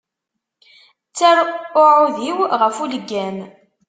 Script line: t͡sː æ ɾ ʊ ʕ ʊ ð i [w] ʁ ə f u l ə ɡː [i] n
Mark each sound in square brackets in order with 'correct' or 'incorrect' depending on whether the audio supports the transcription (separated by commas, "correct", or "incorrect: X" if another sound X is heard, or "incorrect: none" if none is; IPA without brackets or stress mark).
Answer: correct, incorrect: æ